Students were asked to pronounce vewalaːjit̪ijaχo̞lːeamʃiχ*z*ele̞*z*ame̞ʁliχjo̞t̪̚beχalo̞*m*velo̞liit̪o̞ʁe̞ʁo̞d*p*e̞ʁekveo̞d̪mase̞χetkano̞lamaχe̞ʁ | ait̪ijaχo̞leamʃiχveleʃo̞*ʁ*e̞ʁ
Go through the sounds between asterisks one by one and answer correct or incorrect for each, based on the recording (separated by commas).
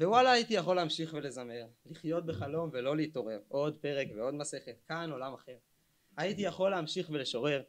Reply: incorrect, correct, correct, correct, correct